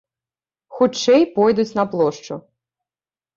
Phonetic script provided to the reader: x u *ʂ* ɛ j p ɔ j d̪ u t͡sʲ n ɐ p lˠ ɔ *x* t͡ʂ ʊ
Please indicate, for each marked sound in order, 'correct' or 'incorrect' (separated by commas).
incorrect, incorrect